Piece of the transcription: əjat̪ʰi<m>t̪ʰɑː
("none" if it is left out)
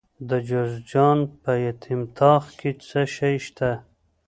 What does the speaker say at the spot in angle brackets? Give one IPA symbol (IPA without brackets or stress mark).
m